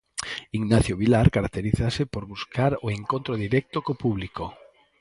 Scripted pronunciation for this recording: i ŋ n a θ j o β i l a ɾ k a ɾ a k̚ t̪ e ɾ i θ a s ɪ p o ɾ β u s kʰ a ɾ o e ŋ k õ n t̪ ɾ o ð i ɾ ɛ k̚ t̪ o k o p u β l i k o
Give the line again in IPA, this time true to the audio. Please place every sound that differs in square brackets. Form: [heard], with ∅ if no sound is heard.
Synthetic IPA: i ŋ n a θ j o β i l a ɾ k a ɾ a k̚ t̪ e ɾ i θ a s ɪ p o ɾ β u s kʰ a ɾ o e ŋ k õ n t̪ ɾ o ð i ɾ ɛ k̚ t̪ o k o p u β l i k o